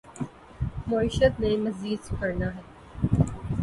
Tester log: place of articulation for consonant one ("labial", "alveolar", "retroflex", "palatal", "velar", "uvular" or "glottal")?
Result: labial